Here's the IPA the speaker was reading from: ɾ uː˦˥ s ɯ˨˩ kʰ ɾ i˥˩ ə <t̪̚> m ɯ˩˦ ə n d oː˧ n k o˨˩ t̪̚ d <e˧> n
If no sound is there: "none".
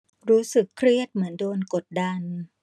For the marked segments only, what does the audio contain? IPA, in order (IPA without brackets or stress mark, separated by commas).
t̪̚, a˧